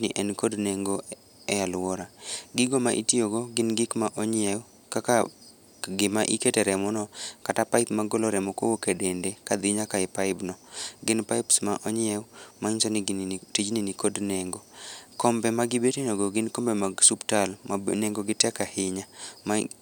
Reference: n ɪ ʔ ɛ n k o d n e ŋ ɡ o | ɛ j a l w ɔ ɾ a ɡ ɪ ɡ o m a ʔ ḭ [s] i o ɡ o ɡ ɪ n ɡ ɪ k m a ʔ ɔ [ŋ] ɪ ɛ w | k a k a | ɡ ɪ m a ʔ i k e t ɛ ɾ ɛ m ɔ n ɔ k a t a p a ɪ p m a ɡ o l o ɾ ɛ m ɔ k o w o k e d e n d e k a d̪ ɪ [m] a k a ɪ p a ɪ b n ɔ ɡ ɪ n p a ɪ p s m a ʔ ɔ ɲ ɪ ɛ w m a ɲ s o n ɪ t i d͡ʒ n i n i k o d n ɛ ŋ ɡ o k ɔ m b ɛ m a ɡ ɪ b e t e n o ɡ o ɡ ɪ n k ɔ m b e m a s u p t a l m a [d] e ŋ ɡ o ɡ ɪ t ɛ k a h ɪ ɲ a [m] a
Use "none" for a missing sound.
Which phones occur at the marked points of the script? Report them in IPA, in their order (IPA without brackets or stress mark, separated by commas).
t, ɲ, ɲ, n, m